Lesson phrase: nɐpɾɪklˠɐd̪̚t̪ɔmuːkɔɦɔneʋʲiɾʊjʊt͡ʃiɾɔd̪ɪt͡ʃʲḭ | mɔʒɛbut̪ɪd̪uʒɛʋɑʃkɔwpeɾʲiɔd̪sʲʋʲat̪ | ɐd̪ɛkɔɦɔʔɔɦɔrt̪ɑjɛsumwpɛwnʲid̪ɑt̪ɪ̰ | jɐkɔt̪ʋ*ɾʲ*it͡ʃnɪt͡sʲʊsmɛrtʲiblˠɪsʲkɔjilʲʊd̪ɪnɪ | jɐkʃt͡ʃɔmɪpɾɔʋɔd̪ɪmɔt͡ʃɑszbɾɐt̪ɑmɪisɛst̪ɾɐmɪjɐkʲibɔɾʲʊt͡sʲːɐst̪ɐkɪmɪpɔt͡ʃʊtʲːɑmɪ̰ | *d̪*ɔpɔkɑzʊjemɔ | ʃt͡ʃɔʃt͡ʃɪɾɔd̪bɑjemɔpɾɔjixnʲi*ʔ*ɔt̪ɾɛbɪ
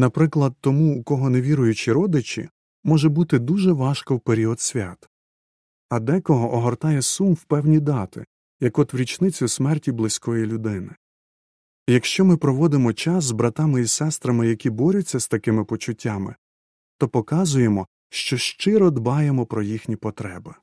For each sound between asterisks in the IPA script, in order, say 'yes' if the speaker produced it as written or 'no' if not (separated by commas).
yes, no, no